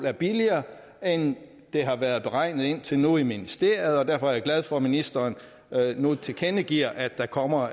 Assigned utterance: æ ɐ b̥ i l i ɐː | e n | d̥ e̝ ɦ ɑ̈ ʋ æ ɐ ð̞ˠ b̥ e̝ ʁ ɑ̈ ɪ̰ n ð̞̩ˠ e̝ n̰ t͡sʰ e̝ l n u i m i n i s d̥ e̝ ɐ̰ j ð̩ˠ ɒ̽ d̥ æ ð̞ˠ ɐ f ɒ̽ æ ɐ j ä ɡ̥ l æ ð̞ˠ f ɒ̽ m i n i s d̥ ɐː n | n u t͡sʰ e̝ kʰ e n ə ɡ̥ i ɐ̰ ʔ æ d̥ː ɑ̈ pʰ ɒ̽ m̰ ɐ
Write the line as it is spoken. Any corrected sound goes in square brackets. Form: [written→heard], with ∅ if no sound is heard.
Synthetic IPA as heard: æ ɐ b̥ i l i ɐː | e n | d̥ e̝ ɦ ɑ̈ ʋ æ ɐ ð̞ˠ b̥ e̝ ʁ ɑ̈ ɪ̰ n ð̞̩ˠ e̝ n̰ t͡sʰ e̝ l n u i m i n i s d̥ e̝ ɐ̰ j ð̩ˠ ɒ̽ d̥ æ [ð̞ˠ→∅] ɐ f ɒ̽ æ ɐ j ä ɡ̥ l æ ð̞ˠ f ɒ̽ m i n i s d̥ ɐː n | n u t͡sʰ e̝ kʰ e n ə ɡ̥ i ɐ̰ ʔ æ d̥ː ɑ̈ [pʰ→kʰ] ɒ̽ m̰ ɐ